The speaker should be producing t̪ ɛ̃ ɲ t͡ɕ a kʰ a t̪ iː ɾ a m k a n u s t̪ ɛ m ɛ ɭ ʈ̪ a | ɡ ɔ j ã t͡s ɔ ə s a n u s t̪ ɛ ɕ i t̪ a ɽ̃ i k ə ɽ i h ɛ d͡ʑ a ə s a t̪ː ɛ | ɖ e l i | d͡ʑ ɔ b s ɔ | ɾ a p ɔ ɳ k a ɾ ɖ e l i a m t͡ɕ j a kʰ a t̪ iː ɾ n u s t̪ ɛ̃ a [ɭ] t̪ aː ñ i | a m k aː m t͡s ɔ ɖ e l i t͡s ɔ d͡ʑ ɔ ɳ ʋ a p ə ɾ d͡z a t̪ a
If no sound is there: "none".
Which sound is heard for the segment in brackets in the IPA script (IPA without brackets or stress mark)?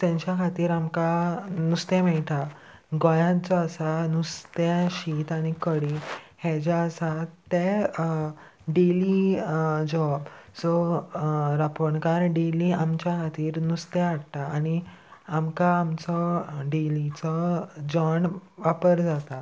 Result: ɽ